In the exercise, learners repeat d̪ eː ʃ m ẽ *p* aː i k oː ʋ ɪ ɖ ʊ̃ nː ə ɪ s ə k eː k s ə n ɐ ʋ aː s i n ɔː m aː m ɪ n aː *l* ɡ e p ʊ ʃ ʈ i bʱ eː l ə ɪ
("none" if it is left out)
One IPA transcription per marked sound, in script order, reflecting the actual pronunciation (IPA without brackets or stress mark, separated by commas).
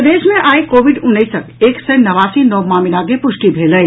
ʔ, none